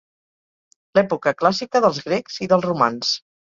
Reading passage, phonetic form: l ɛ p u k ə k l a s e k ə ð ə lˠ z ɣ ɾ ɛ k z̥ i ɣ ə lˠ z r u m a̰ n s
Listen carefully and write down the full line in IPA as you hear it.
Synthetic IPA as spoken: l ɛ p u k ə k l a s i k ə ð ə lˠ z ɣ ɾ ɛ k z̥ i ð ə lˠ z r u m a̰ n s